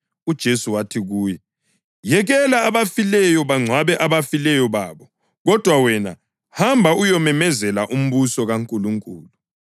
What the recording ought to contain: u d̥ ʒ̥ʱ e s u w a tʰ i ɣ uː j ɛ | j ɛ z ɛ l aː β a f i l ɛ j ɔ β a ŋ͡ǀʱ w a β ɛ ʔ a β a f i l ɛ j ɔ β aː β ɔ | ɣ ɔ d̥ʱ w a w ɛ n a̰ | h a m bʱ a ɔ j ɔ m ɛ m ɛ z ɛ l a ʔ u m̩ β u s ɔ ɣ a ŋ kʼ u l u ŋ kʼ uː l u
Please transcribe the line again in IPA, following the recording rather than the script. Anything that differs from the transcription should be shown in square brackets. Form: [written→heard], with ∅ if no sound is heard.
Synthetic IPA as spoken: u d̥ ʒ̥ʱ e s u w a tʰ i ɣ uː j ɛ | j ɛ [z→ɣ] ɛ l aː β a f i l ɛ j ɔ β a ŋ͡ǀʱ w a β ɛ ʔ a β a f i l ɛ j ɔ β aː β ɔ | ɣ ɔ d̥ʱ w a w ɛ n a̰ | h a m bʱ a [ɔ→u] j ɔ m ɛ m ɛ z ɛ l a ʔ u m̩ β u s ɔ ɣ a ŋ kʼ u l u ŋ kʼ uː l u

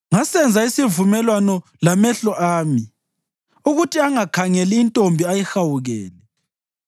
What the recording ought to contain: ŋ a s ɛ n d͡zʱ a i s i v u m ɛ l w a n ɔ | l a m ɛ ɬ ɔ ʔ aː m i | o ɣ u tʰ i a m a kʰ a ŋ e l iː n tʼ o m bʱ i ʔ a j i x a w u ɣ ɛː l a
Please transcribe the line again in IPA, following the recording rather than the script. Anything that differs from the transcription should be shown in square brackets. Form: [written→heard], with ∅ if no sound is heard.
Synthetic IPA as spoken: ŋ a s ɛ n d͡zʱ a i s i v u m ɛ l w a n ɔ | l a m ɛ ɬ ɔ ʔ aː m i | [o→u] ɣ u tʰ i a [m→ŋ] a kʰ a ŋ [e→ɛ] l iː n tʼ o m bʱ i [ʔ→∅] a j i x a w u ɣ ɛː l [a→ɛ]

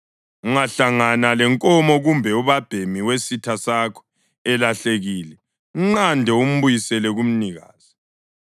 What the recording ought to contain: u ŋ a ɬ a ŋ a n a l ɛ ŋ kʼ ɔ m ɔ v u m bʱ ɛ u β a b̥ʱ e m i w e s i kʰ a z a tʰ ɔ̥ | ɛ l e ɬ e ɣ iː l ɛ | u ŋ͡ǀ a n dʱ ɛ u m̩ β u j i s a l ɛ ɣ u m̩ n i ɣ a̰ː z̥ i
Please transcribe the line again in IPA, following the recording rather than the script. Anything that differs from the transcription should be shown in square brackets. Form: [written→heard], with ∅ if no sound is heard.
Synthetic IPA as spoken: u ŋ a ɬ a ŋ a n a l ɛ ŋ kʼ ɔ m ɔ [v→ɣ] u m bʱ ɛ u β a b̥ʱ e m i w e s i [kʰ→tʰ] a [z→s] a [tʰ→kʰ] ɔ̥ | ɛ l [e→a] ɬ e ɣ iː l ɛ | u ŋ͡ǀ a n dʱ ɛ u m̩ β u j i s [a→ɛ] l ɛ ɣ u m̩ n i ɣ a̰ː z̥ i

